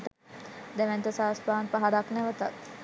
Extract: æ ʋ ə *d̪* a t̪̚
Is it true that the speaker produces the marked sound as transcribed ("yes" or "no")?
no